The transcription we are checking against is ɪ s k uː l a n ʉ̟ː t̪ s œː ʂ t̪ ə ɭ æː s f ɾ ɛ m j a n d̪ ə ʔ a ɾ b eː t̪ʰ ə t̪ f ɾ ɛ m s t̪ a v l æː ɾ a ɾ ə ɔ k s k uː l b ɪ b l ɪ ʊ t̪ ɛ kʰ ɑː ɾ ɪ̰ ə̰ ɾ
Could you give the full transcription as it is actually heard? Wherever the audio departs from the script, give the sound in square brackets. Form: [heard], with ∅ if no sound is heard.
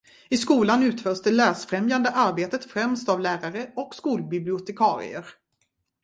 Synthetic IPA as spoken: ɪ s k uː l a n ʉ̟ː t̪ [f] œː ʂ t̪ ə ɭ æː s f ɾ ɛ m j a n d̪ ə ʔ a ɾ b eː [t̪] ə t̪ f ɾ ɛ m s t̪ a v l æː ɾ a ɾ ə ɔ k s k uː l b ɪ b l ɪ ʊ t̪ ɛ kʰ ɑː ɾ ɪ̰ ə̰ ɾ